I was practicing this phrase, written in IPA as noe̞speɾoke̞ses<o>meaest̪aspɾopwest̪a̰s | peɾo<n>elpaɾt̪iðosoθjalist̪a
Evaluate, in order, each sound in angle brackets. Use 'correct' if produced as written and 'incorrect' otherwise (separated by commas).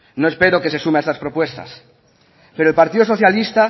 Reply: incorrect, incorrect